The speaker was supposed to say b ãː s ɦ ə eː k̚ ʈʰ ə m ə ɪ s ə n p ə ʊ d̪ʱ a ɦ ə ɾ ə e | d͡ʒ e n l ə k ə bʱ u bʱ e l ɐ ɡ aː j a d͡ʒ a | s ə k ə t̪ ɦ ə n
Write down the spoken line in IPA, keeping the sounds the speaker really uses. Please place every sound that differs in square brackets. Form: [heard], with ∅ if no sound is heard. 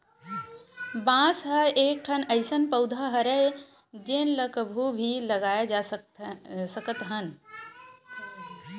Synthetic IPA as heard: b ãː s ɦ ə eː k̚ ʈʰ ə [n] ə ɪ s ə n p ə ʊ d̪ʱ a ɦ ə ɾ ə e | d͡ʒ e n l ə k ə bʱ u bʱ [i] l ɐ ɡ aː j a d͡ʒ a | s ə k ə t̪ ɦ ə n